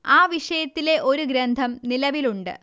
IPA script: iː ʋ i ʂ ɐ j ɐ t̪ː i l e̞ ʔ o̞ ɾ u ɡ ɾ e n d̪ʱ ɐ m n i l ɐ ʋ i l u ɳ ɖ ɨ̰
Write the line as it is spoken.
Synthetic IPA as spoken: aː ʋ i ʂ ɐ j ɐ t̪ː i l e̞ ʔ o̞ ɾ u ɡ ɾ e n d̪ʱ ɐ m n i l ɐ ʋ i l u ɳ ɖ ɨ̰